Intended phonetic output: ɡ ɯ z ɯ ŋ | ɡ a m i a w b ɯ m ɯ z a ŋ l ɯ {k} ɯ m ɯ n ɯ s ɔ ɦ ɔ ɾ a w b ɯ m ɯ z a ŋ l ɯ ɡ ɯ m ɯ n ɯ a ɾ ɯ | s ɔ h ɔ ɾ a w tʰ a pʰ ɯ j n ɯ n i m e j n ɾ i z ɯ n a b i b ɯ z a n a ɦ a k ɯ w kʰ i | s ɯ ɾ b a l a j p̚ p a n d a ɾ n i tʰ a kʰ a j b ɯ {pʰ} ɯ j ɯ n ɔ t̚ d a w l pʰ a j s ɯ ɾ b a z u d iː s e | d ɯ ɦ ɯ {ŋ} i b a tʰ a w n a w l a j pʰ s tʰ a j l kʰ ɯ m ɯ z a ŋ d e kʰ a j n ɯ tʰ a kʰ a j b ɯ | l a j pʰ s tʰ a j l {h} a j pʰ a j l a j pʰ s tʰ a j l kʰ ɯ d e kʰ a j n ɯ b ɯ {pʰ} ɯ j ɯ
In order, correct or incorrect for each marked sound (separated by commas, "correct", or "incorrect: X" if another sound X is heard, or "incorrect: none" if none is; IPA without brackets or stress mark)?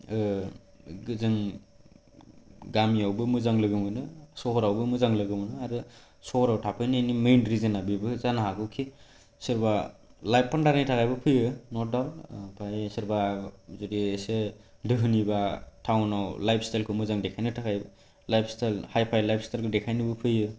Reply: incorrect: ɡ, correct, incorrect: n, correct, correct